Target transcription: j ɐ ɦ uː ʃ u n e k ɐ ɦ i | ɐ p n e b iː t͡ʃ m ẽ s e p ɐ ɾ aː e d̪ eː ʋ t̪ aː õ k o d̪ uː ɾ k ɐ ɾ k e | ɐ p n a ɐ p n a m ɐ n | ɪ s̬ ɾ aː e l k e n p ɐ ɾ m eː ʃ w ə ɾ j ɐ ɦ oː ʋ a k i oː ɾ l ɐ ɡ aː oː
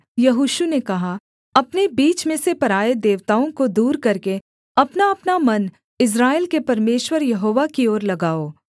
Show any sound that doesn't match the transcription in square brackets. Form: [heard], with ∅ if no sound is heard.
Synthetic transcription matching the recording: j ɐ ɦ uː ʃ u n e k ɐ ɦ [a] | ɐ p n e b iː t͡ʃ m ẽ s e p ɐ ɾ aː e d̪ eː ʋ t̪ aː õ k o d̪ uː ɾ k ɐ ɾ k e | ɐ p n a ɐ p n a m ɐ n | ɪ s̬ ɾ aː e l k e [∅] p ɐ ɾ m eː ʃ w ə ɾ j ɐ ɦ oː ʋ a k i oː ɾ l ɐ ɡ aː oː